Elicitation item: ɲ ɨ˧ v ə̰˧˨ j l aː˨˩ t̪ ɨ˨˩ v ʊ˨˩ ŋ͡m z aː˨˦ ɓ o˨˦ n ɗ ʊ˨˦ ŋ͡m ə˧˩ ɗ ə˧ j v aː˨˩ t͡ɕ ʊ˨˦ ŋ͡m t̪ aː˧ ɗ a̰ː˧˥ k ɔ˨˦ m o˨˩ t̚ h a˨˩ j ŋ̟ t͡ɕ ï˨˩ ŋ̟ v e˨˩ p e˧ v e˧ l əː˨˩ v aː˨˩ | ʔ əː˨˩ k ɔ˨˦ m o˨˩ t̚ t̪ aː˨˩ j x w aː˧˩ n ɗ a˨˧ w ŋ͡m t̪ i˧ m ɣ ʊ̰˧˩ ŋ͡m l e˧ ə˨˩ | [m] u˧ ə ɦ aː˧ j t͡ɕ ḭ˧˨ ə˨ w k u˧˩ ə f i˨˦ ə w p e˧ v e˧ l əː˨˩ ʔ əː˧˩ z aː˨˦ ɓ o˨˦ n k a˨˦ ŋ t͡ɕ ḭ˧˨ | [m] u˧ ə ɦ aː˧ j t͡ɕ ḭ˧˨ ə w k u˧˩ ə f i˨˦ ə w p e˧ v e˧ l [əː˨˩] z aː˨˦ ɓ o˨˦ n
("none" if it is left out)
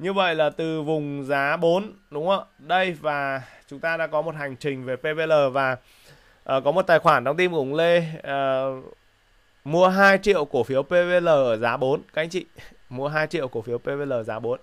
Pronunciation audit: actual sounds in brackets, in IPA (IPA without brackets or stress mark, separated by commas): m, m, əː˨˩